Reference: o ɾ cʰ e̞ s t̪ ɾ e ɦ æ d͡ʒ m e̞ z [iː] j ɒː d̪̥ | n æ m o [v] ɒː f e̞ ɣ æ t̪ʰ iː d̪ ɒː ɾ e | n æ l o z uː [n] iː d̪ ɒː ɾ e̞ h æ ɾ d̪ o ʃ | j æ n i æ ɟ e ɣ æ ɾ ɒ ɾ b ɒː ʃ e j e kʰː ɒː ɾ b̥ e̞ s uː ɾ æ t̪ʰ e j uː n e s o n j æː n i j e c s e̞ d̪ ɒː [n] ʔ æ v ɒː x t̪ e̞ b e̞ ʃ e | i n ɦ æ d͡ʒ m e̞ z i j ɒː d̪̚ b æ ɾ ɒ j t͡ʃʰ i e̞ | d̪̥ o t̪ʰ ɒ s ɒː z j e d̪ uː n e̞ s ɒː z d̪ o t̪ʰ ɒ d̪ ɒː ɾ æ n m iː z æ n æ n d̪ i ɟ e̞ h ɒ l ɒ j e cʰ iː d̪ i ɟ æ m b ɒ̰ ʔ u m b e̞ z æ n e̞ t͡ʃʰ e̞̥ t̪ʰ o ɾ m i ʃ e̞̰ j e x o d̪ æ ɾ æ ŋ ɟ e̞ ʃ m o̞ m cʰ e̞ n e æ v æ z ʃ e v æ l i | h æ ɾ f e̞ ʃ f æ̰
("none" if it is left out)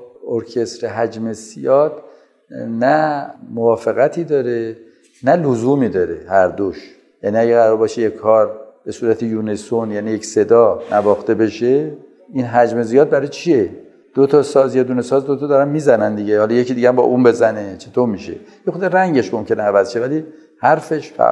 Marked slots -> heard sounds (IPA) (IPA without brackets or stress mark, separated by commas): i, v, m, n